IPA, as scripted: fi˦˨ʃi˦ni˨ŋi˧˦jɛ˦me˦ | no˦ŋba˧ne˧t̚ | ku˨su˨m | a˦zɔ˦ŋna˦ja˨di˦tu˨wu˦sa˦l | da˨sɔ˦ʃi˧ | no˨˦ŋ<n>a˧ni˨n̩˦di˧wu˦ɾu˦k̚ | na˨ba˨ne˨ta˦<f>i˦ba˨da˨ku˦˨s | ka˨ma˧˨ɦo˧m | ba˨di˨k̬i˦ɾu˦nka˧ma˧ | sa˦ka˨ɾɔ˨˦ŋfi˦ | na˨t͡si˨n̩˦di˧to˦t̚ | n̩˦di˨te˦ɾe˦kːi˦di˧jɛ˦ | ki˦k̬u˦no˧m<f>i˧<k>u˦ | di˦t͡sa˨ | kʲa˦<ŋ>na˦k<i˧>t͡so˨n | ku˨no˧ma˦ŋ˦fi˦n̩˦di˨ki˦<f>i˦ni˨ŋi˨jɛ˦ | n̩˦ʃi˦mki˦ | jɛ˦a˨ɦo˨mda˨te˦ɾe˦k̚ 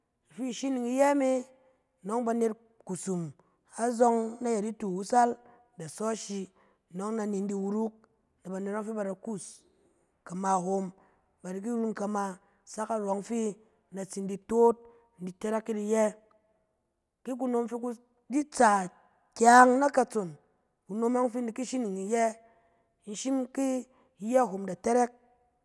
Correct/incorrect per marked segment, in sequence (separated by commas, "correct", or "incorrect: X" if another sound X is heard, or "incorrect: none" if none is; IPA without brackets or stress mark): correct, correct, correct, correct, correct, incorrect: a˧, incorrect: ʃ